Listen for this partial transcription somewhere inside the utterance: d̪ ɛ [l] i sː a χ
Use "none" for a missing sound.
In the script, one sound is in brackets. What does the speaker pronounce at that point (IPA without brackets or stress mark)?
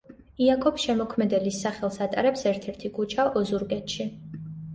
l